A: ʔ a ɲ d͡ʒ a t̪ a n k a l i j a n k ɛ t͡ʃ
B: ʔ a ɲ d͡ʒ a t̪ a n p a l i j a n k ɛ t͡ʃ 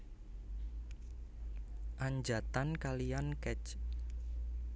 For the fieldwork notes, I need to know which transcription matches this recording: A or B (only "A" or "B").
A